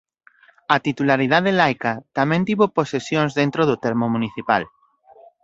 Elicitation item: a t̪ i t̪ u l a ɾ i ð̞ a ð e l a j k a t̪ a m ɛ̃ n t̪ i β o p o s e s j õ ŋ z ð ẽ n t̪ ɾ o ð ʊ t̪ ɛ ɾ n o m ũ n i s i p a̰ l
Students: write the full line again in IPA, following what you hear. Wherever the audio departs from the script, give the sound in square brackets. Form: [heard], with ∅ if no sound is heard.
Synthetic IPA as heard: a t̪ i t̪ u l a ɾ i ð̞ a ð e l a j k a t̪ a m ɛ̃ n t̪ i β o p o s e s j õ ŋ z ð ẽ n t̪ ɾ o ð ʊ t̪ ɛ ɾ [m] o m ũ n i [θ] i p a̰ l